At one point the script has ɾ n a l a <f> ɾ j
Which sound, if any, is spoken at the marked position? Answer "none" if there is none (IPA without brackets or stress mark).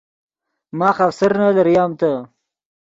none